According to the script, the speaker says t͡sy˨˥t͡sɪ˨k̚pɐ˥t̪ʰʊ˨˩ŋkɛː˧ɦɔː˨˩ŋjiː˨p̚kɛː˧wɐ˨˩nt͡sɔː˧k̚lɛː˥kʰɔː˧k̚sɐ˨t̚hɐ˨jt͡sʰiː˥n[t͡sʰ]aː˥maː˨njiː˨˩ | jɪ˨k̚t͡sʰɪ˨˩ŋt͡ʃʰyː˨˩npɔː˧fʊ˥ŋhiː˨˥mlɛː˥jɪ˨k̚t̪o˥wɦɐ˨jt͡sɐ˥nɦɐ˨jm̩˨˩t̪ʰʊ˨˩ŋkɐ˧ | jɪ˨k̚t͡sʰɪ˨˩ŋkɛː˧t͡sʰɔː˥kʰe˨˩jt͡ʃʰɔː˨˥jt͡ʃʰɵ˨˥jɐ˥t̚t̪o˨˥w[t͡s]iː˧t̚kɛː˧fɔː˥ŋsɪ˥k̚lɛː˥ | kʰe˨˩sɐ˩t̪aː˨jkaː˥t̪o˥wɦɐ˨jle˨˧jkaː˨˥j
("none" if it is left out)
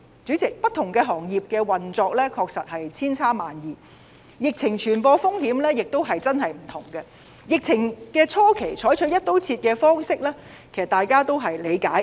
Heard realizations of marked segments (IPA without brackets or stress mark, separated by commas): t͡sʰ, t͡sʰ